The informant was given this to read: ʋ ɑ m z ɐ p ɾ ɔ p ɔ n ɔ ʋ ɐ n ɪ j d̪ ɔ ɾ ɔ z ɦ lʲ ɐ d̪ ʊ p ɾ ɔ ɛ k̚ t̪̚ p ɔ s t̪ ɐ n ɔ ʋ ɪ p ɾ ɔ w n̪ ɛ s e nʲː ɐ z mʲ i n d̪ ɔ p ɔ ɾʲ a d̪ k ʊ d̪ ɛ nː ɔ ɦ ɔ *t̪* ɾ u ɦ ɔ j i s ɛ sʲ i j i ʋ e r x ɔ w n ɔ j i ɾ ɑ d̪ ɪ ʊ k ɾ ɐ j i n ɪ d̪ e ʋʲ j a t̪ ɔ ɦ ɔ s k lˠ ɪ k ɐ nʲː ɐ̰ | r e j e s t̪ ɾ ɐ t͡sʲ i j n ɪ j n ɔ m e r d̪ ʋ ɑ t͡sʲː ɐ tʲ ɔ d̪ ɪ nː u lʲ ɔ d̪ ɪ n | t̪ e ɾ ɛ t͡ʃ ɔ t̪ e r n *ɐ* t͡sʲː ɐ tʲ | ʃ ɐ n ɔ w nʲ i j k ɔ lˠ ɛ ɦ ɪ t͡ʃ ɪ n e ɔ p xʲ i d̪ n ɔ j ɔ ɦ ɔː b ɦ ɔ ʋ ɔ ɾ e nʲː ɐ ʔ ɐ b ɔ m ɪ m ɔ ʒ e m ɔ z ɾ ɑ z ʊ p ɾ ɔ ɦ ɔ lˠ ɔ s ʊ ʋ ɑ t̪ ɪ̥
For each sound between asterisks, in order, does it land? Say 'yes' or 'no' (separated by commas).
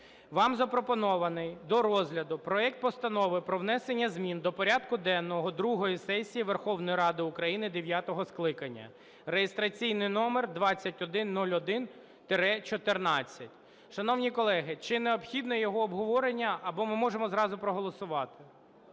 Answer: no, no